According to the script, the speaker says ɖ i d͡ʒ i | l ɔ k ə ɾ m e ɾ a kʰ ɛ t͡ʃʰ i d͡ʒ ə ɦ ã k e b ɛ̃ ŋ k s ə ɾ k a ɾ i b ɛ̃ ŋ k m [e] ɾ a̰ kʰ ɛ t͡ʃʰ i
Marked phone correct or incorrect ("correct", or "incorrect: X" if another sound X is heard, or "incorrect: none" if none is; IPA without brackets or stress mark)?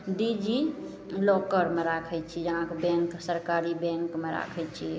correct